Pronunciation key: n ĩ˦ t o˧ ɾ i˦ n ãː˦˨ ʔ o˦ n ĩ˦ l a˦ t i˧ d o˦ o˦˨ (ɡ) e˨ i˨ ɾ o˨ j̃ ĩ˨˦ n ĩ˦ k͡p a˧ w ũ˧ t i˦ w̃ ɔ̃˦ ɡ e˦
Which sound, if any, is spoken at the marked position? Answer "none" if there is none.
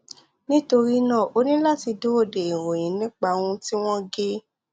d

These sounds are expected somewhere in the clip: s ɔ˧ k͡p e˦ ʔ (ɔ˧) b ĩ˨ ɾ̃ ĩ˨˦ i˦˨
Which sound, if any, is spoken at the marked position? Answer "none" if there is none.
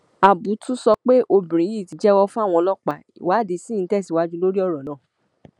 o˧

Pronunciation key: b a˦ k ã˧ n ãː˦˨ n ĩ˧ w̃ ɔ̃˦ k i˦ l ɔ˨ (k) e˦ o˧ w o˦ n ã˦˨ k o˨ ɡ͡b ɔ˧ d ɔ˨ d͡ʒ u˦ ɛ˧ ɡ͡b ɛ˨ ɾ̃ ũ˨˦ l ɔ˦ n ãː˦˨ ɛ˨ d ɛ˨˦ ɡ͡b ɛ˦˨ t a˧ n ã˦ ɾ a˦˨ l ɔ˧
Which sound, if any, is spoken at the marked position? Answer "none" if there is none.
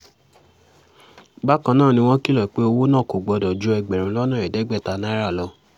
k͡p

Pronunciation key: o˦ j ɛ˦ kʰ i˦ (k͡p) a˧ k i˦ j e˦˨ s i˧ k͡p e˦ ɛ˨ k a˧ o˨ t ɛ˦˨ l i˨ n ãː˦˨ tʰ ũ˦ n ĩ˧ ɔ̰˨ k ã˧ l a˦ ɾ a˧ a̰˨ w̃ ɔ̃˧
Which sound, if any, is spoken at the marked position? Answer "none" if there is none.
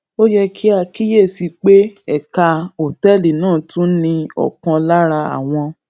none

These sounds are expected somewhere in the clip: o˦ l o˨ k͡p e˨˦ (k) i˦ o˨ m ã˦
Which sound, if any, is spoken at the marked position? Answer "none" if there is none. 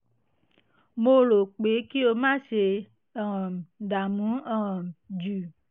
k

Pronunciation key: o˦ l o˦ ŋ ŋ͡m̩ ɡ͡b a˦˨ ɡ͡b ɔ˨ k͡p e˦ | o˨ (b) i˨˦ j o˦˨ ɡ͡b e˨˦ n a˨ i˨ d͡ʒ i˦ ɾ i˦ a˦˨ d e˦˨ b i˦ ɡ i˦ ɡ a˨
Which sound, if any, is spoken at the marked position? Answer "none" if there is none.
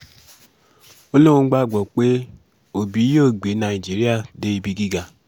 b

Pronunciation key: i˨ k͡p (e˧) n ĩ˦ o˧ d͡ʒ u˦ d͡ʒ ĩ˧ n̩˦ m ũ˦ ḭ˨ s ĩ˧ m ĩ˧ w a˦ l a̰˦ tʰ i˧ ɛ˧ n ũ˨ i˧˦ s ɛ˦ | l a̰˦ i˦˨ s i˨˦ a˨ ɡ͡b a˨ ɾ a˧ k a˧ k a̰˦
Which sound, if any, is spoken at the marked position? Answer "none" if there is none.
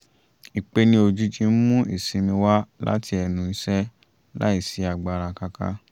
e˧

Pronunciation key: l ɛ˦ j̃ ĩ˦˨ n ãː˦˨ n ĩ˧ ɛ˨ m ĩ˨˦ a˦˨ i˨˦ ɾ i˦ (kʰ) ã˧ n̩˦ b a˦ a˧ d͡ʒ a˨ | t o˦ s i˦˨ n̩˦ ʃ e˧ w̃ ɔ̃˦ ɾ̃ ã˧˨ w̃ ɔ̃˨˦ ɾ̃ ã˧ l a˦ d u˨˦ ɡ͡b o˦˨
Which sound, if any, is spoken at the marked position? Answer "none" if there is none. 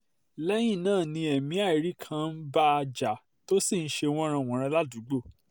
kʰ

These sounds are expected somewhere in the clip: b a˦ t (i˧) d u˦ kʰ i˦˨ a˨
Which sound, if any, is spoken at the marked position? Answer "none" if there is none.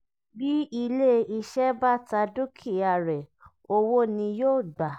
a˧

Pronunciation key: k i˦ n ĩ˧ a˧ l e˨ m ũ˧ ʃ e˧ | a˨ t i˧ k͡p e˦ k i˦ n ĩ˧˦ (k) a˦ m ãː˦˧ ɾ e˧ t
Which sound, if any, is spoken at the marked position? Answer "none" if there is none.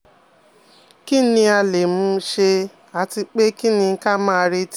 k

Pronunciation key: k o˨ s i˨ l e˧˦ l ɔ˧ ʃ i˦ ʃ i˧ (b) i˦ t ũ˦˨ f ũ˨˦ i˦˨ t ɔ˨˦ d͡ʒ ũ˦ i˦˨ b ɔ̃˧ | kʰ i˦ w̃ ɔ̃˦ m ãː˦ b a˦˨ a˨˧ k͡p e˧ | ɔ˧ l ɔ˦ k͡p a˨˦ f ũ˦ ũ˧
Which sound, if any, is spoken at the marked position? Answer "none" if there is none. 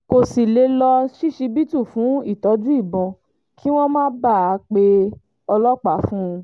b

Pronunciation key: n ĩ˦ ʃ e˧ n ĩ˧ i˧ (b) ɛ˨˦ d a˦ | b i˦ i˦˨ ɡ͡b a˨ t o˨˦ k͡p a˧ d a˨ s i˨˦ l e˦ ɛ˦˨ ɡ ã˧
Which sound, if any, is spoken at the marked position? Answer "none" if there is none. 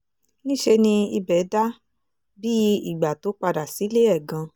b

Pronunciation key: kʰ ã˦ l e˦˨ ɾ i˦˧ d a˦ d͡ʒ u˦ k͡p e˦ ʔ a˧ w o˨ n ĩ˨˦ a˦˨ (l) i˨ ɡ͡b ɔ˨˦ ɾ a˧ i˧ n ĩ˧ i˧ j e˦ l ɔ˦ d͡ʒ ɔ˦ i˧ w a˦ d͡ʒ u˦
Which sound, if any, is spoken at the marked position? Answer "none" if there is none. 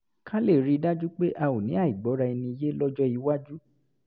none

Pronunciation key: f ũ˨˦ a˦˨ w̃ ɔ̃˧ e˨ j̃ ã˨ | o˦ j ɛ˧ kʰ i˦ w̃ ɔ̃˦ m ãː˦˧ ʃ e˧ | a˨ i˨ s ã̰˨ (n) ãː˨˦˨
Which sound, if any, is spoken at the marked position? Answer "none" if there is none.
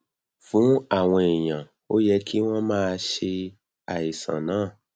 n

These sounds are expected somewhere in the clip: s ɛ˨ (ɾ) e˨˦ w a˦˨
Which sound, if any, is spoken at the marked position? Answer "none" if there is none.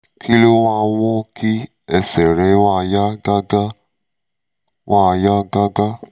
ɾ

